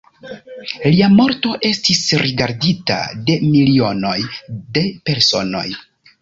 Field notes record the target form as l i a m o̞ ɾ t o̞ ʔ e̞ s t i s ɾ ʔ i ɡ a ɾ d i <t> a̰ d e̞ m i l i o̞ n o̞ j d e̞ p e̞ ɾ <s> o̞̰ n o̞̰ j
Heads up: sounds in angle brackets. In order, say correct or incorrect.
correct, correct

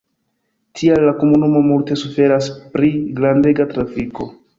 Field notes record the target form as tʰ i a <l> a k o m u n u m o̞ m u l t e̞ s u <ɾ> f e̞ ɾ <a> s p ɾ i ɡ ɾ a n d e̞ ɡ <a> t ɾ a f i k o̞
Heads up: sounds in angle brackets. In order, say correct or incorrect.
incorrect: lː, incorrect: none, correct, correct

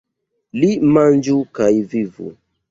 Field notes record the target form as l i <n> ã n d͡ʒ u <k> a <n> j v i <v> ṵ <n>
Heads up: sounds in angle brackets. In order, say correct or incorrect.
incorrect: m, correct, incorrect: none, correct, incorrect: none

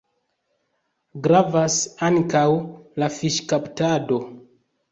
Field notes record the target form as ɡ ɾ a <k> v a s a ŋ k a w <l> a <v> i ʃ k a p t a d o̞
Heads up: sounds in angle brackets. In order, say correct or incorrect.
incorrect: none, correct, incorrect: f

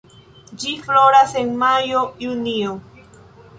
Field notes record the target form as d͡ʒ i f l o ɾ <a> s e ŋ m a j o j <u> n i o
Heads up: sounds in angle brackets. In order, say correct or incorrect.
correct, correct

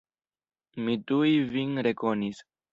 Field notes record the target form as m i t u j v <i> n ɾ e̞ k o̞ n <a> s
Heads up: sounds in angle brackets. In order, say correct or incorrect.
correct, incorrect: i

